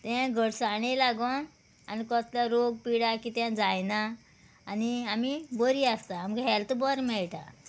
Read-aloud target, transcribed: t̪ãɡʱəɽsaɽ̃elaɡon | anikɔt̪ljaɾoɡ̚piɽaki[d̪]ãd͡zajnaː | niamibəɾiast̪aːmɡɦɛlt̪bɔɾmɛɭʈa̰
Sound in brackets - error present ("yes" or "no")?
yes